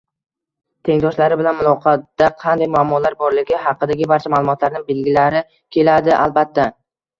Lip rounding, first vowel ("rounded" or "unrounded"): unrounded